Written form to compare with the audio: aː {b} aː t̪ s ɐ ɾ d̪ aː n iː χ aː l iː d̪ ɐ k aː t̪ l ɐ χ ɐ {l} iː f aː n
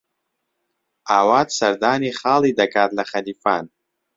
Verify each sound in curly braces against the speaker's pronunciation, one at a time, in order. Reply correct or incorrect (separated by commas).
incorrect, correct